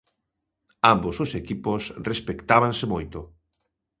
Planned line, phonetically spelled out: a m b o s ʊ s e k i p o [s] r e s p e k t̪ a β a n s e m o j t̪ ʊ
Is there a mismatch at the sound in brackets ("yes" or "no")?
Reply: no